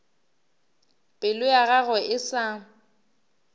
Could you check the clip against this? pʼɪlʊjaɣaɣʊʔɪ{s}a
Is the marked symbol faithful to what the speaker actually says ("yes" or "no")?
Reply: yes